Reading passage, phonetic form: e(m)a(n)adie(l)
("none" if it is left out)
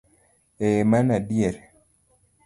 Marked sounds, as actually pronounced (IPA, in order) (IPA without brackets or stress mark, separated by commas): m, n, ɾ